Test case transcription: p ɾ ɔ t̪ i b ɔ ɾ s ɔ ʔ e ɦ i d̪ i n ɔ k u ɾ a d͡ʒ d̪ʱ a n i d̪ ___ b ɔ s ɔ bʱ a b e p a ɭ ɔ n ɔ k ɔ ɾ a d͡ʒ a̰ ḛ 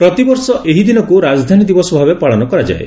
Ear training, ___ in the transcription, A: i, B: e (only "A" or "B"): A